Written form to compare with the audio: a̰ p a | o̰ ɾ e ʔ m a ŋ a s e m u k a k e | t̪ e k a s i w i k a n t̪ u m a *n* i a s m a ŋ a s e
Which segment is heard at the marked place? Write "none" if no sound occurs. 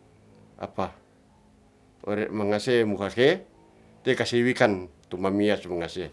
m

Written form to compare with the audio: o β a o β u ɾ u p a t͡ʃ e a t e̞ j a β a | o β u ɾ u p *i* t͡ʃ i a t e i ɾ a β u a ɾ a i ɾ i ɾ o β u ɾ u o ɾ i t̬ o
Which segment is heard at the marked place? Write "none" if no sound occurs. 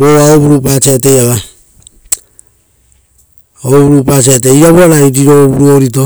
a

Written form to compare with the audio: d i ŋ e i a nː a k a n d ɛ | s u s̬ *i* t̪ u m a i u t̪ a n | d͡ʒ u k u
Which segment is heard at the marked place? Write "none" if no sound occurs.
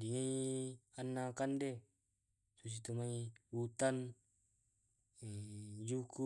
i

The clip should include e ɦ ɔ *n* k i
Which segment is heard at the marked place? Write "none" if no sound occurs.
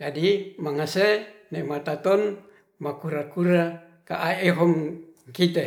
m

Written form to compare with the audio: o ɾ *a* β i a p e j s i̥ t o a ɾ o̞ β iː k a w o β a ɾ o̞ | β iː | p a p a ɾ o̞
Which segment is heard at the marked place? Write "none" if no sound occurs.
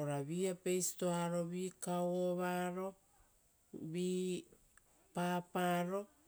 a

